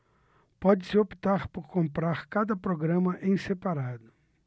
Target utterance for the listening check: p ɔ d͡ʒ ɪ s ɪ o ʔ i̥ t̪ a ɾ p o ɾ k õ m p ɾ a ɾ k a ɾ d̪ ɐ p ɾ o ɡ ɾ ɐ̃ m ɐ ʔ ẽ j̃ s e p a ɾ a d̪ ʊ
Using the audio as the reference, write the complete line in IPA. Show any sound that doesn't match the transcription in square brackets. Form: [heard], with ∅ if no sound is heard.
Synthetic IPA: p ɔ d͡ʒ ɪ s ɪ o [p] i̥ t̪ a ɾ p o ɾ k õ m p ɾ a ɾ k a [∅] d̪ ɐ p ɾ o ɡ ɾ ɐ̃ m ɐ ʔ ẽ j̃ s e p a ɾ a d̪ ʊ